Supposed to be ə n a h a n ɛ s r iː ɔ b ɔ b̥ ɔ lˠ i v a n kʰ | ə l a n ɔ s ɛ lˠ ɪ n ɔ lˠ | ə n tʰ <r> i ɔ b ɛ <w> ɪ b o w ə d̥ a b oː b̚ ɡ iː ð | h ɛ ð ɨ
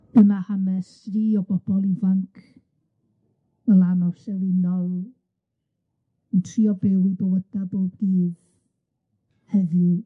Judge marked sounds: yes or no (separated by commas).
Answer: yes, yes